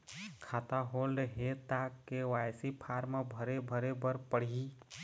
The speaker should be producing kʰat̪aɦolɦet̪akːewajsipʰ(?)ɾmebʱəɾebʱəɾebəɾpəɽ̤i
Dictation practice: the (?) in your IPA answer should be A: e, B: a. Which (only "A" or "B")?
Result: B